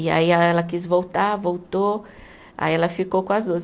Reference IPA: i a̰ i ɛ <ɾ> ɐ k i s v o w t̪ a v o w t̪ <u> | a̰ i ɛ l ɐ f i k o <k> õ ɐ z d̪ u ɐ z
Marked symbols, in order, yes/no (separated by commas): no, no, yes